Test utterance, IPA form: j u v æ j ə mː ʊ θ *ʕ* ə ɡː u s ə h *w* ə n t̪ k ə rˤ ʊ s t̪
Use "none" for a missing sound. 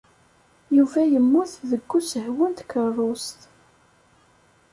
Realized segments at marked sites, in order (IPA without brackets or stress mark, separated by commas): ð, w